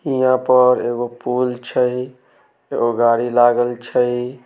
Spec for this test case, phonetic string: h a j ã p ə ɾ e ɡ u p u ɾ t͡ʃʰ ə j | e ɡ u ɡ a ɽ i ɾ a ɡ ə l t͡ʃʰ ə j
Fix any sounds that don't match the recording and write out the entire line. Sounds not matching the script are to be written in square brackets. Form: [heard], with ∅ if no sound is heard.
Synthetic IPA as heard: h [i] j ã p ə ɾ e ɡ [o] p u [l] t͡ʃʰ ə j | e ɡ [o] ɡ a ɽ i [l] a ɡ ə l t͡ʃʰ ə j